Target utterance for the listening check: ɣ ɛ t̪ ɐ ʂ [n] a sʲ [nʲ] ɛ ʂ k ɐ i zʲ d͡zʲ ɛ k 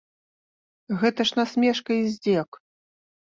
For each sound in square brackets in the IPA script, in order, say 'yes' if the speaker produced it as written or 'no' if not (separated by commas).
yes, no